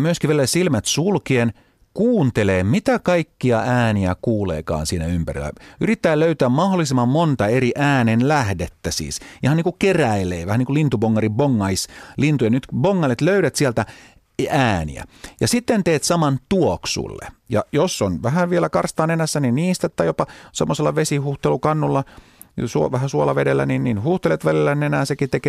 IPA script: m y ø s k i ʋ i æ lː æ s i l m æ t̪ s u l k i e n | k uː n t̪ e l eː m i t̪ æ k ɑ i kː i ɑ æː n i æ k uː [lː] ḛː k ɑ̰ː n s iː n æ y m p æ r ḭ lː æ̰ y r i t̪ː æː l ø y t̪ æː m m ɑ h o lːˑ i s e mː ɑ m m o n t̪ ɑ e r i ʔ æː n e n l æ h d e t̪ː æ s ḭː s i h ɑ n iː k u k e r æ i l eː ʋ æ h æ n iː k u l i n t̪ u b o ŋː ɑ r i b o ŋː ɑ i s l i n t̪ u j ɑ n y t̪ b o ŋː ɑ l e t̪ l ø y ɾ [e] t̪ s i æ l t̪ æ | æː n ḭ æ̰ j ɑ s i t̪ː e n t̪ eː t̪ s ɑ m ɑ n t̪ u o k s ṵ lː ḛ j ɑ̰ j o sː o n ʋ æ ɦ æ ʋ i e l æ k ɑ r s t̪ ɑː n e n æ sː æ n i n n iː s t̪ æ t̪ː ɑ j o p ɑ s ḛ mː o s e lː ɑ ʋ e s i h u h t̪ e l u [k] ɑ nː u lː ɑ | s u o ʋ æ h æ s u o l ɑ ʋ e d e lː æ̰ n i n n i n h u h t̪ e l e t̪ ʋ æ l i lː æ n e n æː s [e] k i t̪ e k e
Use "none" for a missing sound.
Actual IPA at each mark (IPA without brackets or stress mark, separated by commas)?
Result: l, æ, k, e